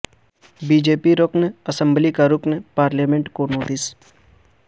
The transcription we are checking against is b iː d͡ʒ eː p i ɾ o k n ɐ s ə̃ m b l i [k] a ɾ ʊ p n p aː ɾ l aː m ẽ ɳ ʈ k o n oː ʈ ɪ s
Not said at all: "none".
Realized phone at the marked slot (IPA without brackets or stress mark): k